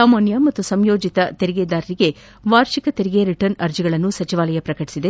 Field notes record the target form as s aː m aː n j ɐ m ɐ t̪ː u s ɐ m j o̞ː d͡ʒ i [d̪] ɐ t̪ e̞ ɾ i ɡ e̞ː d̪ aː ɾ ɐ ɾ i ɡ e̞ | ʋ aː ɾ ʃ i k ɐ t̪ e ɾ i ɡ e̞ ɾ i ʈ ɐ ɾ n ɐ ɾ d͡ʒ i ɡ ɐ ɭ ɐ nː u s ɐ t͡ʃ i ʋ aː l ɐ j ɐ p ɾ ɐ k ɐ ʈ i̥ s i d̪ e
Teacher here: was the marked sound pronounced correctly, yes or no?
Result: no